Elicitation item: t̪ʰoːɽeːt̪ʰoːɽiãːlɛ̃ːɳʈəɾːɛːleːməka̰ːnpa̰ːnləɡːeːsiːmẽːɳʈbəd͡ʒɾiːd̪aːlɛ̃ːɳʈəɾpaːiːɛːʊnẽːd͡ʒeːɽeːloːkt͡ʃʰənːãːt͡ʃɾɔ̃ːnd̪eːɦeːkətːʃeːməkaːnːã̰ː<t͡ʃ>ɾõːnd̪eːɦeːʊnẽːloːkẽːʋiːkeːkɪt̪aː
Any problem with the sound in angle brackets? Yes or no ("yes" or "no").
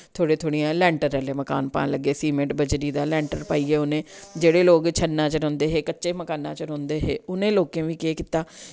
no